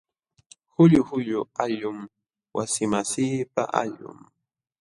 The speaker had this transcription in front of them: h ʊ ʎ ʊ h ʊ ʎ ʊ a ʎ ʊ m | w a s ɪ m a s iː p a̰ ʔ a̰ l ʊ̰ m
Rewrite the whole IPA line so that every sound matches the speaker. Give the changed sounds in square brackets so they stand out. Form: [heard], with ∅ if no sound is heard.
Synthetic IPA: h ʊ ʎ ʊ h ʊ ʎ ʊ a ʎ ʊ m | w a s ɪ m a s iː p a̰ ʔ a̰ [ʎ] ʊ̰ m